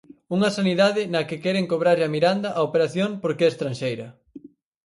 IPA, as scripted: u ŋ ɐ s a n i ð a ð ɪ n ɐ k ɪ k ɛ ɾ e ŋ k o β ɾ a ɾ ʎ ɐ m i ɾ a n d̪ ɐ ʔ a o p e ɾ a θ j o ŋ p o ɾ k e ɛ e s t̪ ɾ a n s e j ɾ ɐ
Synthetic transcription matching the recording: u ŋ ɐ s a n i ð a ð ɪ n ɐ k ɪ k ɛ ɾ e ŋ k o β ɾ a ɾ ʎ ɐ m i ɾ a n d̪ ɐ ʔ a o p e ɾ a θ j o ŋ p o ɾ k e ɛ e s t̪ ɾ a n ʃ e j ɾ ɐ